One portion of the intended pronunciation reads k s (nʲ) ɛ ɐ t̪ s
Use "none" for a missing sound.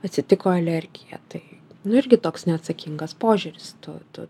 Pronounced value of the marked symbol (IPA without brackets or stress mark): nʲ